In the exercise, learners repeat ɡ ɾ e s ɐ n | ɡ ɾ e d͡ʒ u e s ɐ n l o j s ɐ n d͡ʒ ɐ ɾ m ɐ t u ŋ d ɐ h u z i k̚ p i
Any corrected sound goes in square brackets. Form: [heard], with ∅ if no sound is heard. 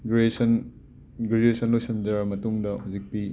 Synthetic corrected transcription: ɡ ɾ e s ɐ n | ɡ ɾ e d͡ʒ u e s ɐ n l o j s ɐ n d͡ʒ ɐ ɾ m ɐ t u ŋ d ɐ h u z i k̚ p i